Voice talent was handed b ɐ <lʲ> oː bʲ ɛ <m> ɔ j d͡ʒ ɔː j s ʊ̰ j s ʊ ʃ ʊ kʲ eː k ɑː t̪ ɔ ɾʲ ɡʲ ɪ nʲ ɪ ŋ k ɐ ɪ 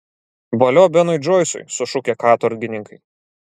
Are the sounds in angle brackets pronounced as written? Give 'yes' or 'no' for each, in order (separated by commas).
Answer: yes, no